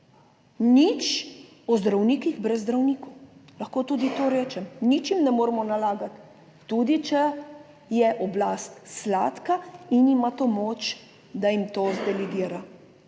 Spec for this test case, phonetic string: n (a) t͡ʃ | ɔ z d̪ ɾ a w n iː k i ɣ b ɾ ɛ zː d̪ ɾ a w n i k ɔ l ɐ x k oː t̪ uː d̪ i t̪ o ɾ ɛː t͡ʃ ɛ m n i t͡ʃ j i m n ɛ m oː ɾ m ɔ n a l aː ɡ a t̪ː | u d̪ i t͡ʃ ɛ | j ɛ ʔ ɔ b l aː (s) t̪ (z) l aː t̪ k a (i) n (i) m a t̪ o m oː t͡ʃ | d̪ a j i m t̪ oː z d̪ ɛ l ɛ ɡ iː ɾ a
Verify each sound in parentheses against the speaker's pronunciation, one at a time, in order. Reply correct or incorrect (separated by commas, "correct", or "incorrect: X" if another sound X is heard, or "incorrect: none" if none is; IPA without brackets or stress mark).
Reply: incorrect: i, correct, incorrect: s, correct, correct